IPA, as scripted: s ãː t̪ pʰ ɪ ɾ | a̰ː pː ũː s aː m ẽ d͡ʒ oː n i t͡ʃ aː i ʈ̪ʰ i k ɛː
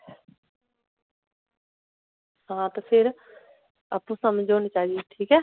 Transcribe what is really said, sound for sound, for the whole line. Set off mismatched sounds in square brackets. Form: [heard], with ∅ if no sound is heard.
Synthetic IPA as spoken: s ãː t̪ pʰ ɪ ɾ | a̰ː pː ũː s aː m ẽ d͡ʒ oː n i t͡ʃ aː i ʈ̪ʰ [iː] k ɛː